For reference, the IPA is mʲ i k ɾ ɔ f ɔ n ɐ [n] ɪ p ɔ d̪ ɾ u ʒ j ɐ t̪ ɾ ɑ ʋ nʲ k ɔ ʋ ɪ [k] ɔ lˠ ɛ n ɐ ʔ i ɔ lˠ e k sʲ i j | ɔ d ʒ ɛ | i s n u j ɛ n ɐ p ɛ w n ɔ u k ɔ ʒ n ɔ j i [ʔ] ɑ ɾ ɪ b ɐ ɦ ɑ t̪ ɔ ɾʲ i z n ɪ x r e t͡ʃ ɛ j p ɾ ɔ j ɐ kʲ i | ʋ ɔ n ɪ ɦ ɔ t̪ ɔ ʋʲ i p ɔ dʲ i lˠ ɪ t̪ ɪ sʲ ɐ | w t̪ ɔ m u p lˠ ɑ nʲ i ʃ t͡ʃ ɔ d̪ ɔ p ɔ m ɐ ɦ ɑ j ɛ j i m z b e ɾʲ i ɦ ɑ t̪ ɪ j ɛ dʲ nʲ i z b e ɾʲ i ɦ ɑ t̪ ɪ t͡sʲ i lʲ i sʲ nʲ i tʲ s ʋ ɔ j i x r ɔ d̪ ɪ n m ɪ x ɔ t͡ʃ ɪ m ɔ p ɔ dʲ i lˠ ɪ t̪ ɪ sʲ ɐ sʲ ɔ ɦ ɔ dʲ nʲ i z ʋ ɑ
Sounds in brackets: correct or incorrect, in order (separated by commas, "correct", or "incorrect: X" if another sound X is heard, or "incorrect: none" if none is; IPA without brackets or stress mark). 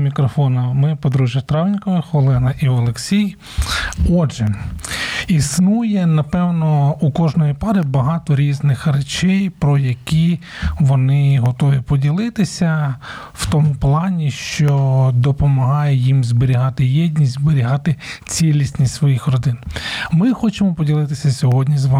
incorrect: m, incorrect: x, incorrect: p